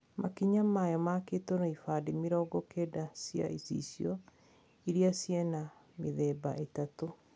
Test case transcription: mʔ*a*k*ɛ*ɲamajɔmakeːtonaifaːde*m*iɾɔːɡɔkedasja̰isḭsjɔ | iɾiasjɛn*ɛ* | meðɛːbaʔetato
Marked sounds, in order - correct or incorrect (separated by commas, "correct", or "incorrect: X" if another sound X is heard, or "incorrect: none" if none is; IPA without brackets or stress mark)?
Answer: correct, incorrect: i, correct, incorrect: a